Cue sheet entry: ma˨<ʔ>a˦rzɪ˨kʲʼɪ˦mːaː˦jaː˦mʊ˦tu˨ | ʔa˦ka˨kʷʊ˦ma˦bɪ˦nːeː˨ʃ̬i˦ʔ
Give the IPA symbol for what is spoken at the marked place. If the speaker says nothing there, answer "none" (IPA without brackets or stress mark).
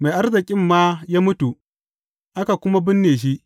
ʔ